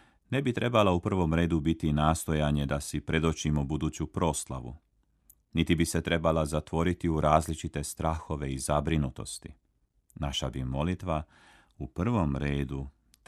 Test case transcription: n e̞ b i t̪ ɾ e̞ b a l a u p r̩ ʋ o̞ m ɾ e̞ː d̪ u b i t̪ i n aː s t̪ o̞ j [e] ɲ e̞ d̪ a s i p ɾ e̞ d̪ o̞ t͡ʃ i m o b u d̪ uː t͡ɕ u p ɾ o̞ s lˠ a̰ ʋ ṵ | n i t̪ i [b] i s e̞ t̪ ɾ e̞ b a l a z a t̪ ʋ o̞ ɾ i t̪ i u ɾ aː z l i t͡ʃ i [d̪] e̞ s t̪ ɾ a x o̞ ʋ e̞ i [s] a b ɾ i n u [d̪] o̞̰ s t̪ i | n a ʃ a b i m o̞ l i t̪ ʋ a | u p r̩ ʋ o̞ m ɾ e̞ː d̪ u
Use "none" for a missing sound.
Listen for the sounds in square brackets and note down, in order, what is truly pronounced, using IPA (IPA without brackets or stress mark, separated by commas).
a, b, t̪, z, t̪